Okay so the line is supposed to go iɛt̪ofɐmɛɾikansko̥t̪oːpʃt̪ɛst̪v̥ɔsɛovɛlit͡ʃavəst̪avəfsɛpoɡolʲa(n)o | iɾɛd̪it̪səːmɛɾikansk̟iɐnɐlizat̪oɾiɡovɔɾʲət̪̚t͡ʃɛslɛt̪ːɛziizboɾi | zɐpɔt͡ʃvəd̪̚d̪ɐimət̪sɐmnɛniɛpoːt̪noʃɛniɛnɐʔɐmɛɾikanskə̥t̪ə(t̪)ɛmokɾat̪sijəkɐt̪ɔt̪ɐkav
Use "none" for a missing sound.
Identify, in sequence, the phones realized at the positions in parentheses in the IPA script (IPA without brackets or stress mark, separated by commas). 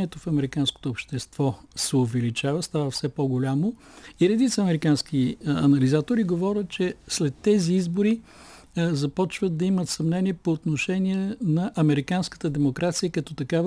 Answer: m, d̪